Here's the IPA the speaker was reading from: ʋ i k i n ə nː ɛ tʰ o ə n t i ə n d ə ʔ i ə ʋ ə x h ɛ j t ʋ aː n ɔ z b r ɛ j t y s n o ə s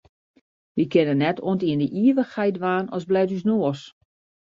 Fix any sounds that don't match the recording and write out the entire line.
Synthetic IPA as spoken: ʋ i k ɪ n ə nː ɛ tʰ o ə n t i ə n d ə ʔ i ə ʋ ə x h ɛ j t ʋ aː n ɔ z b l ɛ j t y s n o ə s